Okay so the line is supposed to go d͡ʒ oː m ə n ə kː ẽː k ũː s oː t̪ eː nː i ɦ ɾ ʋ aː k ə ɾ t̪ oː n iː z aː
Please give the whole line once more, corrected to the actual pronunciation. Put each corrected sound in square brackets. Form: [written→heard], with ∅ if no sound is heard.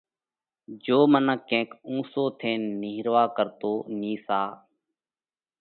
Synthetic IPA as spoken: d͡ʒ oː m ə n ə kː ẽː k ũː s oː [t̪→t̪ʰ] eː nː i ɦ ɾ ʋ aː k ə ɾ t̪ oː n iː [z→s] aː